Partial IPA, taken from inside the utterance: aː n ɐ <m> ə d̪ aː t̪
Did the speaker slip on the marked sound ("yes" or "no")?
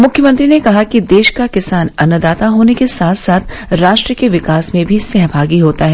yes